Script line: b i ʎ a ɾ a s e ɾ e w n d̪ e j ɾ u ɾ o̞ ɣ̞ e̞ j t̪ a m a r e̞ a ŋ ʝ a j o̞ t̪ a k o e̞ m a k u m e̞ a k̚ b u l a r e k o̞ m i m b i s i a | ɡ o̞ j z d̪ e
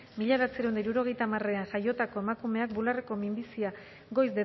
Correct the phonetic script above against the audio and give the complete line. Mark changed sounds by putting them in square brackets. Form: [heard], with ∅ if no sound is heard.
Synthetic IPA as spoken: [m] i ʎ a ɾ a [t͡s] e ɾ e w n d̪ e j ɾ u ɾ o̞ ɣ̞ e̞ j t̪ a m a r e̞ a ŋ ʝ a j o̞ t̪ a k o e̞ m a k u m e̞ a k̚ b u l a r e k o̞ m i m b i s i a | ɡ o̞ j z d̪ e